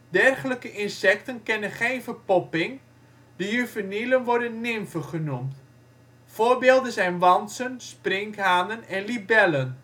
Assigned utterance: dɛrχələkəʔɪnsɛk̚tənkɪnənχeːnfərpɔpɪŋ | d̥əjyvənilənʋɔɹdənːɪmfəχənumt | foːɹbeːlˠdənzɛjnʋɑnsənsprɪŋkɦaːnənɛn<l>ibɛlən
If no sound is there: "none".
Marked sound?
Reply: l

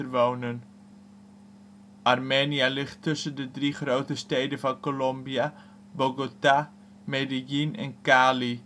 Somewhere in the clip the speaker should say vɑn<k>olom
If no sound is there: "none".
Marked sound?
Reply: k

